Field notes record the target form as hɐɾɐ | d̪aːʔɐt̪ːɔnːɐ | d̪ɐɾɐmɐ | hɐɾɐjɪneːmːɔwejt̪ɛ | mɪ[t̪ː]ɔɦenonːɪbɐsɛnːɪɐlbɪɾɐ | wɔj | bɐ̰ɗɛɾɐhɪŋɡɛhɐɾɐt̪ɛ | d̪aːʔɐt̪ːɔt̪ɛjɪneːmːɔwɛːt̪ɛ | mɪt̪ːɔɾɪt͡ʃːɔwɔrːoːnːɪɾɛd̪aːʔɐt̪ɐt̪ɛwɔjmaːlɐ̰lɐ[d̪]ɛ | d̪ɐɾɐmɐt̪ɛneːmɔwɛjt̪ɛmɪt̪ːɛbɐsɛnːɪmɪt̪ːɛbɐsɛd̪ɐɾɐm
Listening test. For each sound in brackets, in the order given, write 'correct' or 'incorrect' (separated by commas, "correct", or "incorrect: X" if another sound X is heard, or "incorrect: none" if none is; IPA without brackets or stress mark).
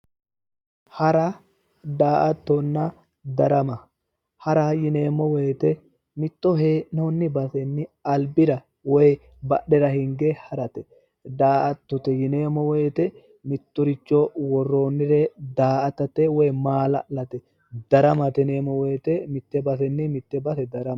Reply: correct, incorrect: t̪